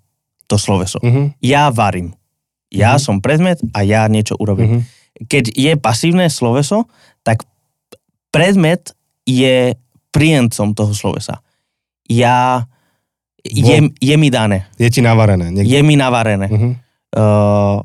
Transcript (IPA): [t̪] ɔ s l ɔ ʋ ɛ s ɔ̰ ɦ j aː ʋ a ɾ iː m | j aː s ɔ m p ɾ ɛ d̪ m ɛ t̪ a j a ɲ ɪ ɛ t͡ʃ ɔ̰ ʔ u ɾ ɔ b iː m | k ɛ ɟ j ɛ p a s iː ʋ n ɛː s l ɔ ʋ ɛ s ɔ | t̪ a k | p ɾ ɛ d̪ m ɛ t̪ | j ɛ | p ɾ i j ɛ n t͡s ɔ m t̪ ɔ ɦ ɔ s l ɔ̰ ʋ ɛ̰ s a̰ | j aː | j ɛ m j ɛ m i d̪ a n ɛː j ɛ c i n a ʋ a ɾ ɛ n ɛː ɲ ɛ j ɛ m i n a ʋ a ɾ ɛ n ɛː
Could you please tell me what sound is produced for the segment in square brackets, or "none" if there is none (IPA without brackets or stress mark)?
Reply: t̪